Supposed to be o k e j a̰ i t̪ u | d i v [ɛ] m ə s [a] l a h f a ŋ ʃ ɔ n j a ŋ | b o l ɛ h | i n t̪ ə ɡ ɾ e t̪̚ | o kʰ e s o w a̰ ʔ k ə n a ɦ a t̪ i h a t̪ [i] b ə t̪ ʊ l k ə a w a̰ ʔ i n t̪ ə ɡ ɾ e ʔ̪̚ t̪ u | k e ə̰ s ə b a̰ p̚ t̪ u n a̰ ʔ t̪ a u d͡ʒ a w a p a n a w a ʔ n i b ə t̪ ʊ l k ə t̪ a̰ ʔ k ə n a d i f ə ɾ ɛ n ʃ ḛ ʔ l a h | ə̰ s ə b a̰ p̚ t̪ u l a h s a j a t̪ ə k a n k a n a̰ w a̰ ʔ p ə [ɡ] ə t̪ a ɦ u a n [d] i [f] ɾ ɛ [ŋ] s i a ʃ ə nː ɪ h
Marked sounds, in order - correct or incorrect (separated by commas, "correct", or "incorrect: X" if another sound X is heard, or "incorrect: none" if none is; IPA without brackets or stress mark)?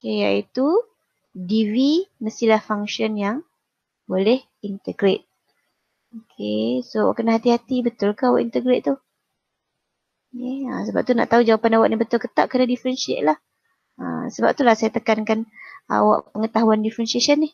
incorrect: i, incorrect: i, correct, incorrect: ŋ, correct, correct, incorrect: n